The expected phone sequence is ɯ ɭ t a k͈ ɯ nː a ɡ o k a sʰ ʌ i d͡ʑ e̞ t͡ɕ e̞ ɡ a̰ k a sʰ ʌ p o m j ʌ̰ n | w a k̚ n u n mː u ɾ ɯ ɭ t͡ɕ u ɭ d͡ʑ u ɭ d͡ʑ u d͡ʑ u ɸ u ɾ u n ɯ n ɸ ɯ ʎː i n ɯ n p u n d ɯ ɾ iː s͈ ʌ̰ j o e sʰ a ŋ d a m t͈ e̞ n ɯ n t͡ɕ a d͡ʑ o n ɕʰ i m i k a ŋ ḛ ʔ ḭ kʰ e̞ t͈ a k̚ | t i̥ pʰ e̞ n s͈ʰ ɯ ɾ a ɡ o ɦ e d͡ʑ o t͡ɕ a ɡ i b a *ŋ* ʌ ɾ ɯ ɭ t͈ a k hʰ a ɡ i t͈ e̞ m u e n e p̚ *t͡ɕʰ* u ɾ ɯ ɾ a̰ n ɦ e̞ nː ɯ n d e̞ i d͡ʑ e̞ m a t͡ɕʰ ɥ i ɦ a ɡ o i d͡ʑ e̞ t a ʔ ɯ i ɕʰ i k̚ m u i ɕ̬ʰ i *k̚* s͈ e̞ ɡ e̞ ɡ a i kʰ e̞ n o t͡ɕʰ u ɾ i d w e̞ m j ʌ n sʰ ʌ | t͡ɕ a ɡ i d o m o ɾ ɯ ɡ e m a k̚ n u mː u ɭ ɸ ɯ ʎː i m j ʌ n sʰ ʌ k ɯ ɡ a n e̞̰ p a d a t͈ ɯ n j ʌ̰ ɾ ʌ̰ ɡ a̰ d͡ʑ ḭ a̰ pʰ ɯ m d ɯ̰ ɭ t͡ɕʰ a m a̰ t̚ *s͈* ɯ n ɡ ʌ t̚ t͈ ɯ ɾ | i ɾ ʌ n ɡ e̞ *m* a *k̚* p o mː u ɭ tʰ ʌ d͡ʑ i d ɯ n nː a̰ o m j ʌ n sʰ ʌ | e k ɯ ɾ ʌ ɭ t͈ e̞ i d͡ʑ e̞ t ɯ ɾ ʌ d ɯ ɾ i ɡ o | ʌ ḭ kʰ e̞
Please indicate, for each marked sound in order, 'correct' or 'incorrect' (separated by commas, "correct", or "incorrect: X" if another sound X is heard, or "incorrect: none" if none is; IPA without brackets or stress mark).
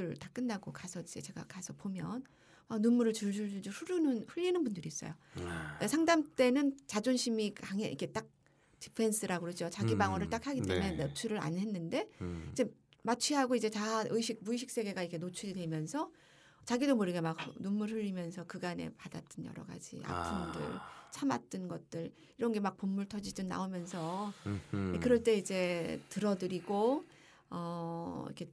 correct, correct, correct, incorrect: t͈, correct, correct